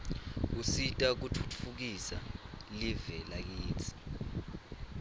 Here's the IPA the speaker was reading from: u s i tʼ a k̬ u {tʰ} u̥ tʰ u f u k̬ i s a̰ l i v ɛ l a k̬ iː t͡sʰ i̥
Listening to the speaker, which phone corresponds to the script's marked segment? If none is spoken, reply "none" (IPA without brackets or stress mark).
tʰ